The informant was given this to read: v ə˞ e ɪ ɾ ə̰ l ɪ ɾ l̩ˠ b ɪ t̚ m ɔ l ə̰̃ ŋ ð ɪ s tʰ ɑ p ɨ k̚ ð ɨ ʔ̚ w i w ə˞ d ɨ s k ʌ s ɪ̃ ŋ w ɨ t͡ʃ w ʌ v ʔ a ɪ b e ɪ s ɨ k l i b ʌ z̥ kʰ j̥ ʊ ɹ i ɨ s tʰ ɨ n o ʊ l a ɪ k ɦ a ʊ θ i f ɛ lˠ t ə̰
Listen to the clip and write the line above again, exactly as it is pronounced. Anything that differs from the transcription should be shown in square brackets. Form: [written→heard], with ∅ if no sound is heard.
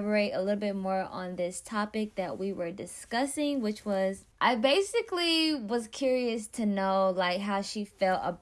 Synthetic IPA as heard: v ə˞ e ɪ ɾ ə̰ l ɪ ɾ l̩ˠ b ɪ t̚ m ɔ [l→ɹ] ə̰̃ [ŋ→n] ð ɪ s tʰ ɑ p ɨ k̚ ð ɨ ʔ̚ w i w ə˞ d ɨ s k ʌ s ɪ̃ ŋ w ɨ t͡ʃ w ʌ [v→z] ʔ a ɪ b e ɪ s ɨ k l i [b→w] ʌ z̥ kʰ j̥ ʊ ɹ i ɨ s tʰ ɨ n o ʊ l a ɪ k ɦ a ʊ [θ→ʃ] i f ɛ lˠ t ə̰